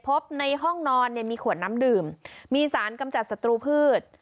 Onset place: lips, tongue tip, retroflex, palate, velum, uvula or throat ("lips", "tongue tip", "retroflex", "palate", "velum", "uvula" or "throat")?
lips